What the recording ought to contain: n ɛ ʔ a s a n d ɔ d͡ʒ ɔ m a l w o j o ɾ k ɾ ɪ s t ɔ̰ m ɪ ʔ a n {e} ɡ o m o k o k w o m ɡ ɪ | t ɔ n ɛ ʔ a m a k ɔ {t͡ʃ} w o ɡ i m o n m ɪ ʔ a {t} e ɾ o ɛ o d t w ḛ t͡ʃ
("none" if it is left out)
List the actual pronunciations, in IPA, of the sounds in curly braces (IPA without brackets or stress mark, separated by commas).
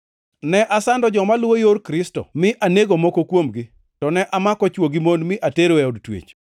e, t͡ʃ, t